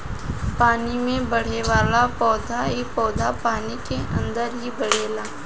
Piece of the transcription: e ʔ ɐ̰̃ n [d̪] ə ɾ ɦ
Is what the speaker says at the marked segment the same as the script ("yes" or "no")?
yes